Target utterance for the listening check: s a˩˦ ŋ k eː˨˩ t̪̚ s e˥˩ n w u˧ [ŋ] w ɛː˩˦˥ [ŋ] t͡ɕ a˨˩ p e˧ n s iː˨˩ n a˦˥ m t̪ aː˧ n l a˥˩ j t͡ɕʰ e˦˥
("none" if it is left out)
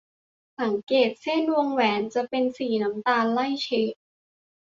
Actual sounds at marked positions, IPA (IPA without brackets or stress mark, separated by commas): ŋ, n